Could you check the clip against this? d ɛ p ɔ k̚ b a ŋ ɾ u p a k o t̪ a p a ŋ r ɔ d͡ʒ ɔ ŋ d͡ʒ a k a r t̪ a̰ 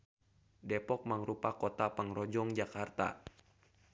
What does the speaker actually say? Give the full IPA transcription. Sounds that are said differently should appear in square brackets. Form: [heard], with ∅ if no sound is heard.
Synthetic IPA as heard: d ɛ p ɔ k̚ [m] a ŋ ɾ u p a k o t̪ a p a ŋ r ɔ d͡ʒ ɔ ŋ d͡ʒ a k a r t̪ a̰